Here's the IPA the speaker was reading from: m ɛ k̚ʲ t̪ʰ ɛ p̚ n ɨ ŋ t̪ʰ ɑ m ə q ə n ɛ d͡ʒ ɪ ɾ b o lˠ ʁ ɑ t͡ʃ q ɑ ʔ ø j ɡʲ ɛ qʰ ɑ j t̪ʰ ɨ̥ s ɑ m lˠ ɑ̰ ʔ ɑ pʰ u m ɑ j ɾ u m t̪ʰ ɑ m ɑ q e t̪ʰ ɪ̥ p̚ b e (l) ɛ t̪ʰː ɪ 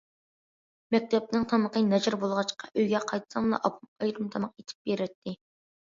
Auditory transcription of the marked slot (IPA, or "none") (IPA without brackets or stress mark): ɾ